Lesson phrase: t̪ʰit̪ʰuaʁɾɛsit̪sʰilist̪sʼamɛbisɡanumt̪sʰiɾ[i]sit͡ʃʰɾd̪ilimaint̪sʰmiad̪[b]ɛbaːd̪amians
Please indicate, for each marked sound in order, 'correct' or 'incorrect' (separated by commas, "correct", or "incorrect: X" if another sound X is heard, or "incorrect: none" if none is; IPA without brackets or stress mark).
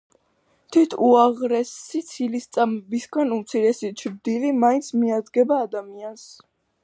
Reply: incorrect: ɛ, incorrect: ɡ